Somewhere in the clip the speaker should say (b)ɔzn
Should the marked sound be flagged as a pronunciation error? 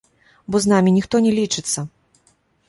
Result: no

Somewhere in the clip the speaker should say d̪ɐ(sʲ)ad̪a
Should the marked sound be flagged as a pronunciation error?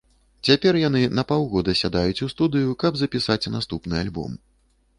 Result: no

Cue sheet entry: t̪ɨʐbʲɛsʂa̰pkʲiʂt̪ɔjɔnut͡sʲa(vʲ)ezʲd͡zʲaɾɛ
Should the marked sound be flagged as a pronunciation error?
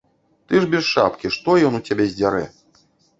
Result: yes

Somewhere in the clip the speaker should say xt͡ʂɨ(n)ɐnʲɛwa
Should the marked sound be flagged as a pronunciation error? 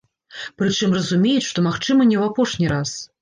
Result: yes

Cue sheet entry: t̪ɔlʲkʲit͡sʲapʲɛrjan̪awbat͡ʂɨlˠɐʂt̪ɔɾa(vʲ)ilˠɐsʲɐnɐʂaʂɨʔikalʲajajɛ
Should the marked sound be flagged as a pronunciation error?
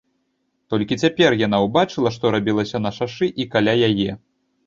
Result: yes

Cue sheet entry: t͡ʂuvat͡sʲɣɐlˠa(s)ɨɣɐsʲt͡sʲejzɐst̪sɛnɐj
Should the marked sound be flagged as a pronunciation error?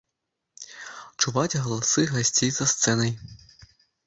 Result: no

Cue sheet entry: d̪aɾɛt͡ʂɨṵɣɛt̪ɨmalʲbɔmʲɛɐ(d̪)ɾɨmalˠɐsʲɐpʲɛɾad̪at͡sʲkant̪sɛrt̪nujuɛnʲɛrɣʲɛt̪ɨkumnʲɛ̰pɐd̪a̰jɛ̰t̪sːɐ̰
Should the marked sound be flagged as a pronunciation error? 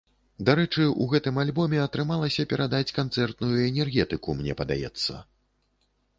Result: yes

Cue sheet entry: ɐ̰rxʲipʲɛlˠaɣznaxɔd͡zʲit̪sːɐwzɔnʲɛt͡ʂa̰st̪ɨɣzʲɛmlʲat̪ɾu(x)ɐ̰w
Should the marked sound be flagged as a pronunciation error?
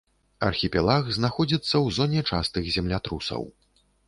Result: yes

